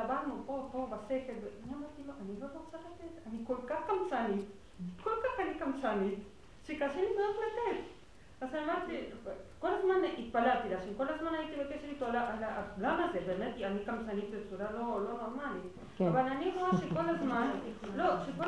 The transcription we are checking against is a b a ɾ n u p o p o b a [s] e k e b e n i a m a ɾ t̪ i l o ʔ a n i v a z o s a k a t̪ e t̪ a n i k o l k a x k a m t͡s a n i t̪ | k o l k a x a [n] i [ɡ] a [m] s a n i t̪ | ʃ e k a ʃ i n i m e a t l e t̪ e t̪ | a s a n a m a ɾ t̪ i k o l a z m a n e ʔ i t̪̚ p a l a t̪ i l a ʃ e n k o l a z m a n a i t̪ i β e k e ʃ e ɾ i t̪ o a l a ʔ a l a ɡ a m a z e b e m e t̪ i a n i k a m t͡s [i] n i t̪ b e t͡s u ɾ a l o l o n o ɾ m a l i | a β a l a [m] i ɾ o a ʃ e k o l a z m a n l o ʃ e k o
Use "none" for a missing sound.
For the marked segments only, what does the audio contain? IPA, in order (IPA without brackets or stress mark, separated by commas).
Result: s, n, k, m, a, n